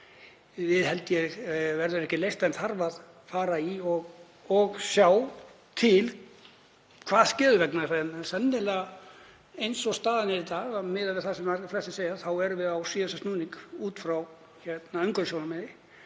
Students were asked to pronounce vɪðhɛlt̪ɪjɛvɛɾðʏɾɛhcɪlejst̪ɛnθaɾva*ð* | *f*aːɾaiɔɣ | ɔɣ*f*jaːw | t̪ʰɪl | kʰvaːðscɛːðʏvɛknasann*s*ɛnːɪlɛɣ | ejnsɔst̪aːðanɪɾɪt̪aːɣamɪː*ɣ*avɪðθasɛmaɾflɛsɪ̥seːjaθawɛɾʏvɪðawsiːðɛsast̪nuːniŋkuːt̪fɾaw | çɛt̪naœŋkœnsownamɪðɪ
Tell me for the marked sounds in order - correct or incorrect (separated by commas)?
correct, correct, incorrect, correct, incorrect